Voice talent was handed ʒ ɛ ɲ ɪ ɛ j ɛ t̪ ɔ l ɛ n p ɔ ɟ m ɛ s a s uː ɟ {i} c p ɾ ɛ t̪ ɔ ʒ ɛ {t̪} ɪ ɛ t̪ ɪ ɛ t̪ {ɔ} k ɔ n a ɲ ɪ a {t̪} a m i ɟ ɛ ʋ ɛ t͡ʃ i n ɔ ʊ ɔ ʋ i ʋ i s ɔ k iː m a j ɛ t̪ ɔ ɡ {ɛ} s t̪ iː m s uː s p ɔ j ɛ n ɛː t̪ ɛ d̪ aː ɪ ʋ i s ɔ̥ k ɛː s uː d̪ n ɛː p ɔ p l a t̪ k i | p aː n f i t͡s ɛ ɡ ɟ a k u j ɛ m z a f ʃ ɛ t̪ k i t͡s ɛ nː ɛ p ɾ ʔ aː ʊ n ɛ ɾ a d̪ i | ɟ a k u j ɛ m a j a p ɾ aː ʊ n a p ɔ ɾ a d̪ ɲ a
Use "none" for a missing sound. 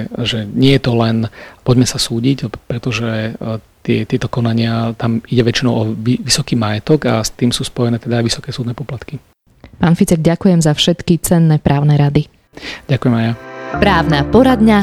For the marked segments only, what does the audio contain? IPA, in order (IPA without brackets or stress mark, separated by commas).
i, t̪, ɔ, t̪, a